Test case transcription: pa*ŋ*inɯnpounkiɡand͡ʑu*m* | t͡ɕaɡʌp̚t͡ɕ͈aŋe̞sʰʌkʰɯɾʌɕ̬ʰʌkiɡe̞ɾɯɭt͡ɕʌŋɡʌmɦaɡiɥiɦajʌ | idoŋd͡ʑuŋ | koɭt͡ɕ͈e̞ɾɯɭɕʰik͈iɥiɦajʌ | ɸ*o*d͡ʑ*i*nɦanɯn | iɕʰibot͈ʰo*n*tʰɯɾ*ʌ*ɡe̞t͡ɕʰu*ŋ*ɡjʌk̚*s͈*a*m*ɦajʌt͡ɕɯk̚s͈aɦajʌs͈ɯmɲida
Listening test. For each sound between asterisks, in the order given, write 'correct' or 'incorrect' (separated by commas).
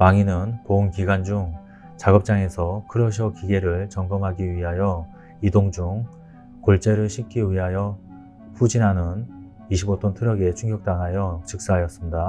correct, incorrect, incorrect, correct, correct, correct, correct, incorrect, incorrect